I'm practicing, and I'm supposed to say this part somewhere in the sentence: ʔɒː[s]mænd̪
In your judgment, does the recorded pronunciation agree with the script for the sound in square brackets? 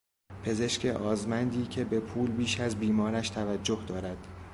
no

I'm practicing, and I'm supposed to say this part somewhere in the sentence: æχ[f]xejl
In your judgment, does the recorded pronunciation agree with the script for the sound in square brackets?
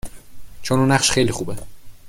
no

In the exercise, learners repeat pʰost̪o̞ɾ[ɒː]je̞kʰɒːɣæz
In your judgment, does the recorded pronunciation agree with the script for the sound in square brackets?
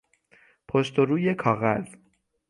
no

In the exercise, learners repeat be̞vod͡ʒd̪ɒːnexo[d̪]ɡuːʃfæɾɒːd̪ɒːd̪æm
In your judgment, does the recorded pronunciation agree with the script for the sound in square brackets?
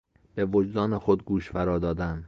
yes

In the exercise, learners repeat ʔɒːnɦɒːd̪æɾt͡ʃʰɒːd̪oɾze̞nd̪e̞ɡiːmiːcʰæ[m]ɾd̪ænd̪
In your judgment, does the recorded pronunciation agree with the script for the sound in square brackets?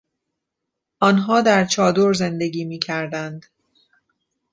no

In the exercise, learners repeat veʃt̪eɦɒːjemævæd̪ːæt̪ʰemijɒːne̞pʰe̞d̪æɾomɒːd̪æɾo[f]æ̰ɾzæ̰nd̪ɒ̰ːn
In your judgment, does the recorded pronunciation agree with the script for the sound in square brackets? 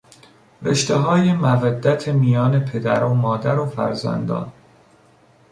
yes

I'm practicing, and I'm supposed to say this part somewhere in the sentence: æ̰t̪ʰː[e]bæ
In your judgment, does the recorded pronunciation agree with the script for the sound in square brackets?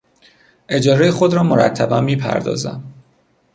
no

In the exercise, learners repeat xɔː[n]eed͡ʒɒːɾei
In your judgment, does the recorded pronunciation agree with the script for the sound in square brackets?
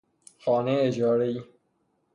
yes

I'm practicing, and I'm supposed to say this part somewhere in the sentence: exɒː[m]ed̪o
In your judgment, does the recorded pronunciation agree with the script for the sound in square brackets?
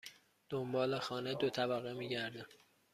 no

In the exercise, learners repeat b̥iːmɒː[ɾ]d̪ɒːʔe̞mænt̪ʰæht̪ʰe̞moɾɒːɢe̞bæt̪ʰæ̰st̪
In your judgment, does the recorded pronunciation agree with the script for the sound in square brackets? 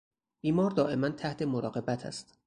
yes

